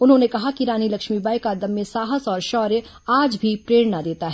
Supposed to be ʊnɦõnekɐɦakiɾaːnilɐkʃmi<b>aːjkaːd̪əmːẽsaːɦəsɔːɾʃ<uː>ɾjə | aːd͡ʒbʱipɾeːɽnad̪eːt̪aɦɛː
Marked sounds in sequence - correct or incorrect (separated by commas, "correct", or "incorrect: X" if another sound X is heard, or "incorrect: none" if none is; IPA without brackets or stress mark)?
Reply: correct, incorrect: ɔː